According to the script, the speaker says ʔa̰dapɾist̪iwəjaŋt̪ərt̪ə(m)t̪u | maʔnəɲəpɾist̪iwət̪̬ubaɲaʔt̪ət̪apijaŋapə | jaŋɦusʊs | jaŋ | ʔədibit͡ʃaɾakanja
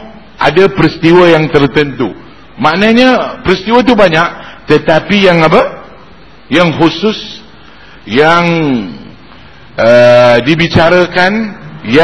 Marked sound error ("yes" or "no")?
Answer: yes